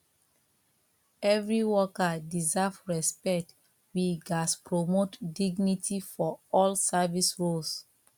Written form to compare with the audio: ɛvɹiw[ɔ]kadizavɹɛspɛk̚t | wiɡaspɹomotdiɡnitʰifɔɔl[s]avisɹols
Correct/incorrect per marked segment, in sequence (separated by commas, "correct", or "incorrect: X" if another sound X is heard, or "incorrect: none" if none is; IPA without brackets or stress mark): correct, correct